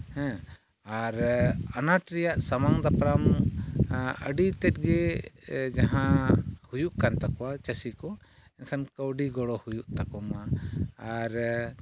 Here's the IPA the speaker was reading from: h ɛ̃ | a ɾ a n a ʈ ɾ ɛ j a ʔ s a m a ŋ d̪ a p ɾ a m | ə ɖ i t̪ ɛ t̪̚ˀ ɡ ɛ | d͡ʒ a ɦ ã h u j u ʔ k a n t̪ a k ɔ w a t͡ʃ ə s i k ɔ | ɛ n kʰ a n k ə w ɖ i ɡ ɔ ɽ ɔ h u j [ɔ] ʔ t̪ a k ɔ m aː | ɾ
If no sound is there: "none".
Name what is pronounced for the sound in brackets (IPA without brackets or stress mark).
u